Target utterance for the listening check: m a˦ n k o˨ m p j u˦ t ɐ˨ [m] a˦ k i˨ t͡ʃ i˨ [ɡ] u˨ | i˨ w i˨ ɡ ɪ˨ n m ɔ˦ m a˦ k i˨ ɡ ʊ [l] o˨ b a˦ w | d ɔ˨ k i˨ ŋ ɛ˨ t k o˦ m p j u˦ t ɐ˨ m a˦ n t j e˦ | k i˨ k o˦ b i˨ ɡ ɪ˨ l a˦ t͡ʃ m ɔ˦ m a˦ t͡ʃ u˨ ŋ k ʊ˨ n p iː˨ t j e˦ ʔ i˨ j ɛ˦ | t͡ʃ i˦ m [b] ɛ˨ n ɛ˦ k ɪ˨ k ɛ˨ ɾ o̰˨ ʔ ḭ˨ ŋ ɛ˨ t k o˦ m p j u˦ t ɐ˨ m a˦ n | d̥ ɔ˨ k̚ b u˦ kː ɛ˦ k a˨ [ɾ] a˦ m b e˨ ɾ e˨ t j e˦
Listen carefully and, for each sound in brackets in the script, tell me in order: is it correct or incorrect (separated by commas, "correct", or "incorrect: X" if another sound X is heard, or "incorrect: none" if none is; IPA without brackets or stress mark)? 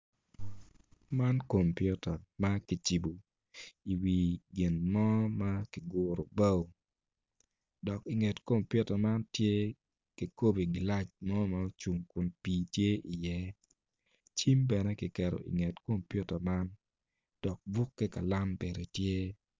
correct, incorrect: b, incorrect: ɾ, correct, incorrect: l